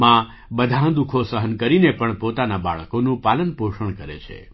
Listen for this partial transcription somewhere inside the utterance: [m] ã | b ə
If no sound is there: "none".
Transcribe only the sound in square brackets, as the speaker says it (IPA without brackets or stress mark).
m